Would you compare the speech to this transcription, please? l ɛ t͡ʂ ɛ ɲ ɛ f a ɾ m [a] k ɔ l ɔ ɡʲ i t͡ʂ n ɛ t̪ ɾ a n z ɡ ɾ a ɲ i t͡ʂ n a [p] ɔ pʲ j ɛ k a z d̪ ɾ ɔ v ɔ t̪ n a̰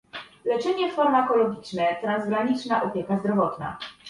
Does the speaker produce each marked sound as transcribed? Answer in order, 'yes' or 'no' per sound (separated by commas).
yes, no